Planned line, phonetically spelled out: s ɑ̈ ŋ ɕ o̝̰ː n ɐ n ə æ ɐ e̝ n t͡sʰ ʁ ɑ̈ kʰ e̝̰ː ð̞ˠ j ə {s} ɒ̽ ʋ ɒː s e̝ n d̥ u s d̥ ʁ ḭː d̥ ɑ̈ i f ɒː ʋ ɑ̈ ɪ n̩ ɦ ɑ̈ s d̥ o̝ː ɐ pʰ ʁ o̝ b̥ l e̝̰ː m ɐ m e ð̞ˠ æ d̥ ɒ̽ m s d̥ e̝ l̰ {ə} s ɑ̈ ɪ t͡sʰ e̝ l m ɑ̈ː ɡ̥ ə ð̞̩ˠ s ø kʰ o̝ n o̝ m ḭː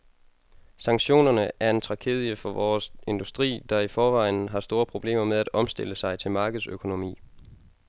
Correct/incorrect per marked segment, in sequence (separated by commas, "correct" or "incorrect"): incorrect, correct